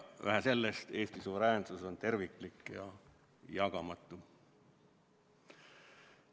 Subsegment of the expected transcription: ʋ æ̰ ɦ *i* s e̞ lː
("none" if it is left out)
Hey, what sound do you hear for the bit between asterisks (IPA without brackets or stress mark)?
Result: æ